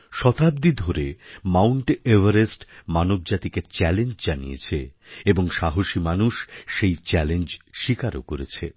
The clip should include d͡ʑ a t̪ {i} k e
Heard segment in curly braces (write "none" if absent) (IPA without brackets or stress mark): i